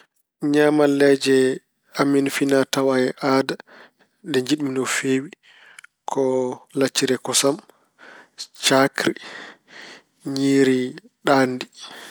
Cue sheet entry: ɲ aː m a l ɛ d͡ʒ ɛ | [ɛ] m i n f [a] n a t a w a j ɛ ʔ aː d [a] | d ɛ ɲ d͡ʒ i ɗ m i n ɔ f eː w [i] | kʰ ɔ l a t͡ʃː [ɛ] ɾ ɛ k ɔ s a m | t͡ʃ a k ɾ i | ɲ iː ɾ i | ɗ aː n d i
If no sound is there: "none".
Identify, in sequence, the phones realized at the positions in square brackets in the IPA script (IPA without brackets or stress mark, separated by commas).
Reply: a, i, a, i, i